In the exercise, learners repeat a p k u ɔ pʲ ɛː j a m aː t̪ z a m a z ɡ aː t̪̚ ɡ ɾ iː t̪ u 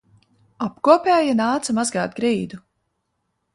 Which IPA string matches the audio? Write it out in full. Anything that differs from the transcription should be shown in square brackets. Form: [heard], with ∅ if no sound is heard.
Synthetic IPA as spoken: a p k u ɔ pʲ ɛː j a [n] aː t̪ [s] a m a z ɡ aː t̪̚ ɡ ɾ iː [d̪] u